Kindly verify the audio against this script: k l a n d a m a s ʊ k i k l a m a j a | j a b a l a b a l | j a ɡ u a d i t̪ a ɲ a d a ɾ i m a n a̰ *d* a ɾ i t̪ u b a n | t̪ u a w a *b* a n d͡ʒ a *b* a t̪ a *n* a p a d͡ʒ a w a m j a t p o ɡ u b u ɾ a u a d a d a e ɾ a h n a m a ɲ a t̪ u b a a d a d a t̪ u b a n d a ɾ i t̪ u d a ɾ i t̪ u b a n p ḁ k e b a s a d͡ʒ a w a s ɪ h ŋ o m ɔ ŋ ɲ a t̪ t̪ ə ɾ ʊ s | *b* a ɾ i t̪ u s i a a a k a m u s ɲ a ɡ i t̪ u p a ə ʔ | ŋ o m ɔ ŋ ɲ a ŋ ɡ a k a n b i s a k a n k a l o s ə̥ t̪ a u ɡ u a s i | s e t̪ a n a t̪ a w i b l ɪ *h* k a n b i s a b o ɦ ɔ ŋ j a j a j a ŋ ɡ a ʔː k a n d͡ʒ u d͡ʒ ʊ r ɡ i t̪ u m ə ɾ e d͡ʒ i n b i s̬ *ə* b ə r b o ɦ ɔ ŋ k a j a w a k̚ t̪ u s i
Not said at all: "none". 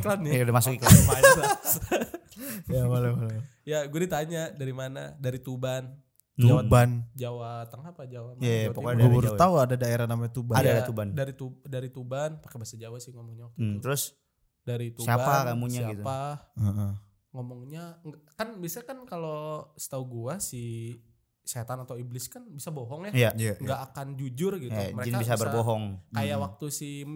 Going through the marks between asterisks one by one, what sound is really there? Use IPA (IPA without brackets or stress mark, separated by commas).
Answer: d, b, w, ŋ, d, s, a